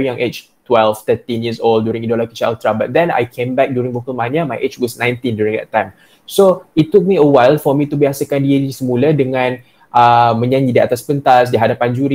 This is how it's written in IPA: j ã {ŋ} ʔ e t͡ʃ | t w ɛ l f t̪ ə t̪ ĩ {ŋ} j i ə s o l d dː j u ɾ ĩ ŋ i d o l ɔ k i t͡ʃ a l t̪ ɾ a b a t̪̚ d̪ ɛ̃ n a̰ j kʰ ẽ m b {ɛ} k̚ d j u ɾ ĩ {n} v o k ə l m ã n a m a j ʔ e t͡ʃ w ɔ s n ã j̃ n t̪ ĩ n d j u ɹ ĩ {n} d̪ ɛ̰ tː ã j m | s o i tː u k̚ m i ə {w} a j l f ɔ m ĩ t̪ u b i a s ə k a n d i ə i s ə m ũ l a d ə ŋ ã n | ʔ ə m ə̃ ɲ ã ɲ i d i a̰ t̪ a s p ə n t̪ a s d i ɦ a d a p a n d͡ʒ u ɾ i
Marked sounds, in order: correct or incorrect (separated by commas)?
correct, incorrect, correct, incorrect, incorrect, correct